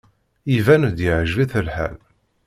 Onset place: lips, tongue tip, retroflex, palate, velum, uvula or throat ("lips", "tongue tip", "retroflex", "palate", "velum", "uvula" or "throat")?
lips